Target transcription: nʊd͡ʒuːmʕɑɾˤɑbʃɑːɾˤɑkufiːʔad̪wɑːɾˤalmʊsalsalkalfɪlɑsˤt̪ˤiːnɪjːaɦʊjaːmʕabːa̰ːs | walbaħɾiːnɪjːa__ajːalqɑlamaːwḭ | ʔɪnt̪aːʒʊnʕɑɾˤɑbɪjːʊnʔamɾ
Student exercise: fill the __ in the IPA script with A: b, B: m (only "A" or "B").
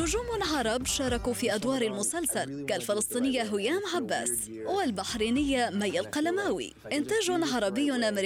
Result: B